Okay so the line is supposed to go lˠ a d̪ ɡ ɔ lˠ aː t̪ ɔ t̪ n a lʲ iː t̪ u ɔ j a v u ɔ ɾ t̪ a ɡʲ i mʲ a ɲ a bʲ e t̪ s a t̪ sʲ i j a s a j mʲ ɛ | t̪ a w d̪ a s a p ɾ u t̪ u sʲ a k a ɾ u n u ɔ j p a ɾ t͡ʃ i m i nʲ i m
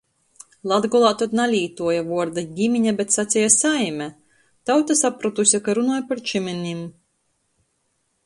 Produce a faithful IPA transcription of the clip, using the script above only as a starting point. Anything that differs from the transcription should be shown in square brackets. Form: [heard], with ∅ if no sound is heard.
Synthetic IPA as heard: lˠ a d̪ ɡ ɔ lˠ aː t̪ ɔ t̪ n a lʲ iː t̪ u ɔ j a v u ɔ ɾ [d̪] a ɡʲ i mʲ [i] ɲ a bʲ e t̪ s a t̪ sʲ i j a s a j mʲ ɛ | t̪ a w [t̪] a s a p ɾ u t̪ u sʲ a k a ɾ u n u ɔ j p a ɾ t͡ʃ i m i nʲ i m